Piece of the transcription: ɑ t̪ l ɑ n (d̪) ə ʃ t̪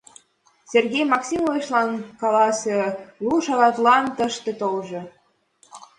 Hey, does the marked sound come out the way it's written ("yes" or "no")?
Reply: no